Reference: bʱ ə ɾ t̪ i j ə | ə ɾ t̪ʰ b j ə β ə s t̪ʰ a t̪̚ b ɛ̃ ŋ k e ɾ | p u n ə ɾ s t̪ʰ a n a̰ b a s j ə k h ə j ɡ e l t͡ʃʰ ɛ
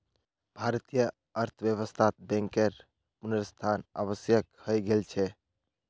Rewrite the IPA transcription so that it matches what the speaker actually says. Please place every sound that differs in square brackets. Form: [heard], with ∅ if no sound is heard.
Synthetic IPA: bʱ [a] ɾ t̪ i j ə | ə ɾ t̪ʰ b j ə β ə s t̪ʰ a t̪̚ b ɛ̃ ŋ k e ɾ | p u n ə ɾ s t̪ʰ a n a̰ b [ə] s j ə k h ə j ɡ e l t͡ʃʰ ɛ